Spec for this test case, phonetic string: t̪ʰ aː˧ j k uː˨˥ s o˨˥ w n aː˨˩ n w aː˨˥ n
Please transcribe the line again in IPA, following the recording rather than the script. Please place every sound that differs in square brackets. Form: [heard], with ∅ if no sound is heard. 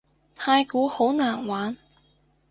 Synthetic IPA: t̪ʰ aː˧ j k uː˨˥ [h] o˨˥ w n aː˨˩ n w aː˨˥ n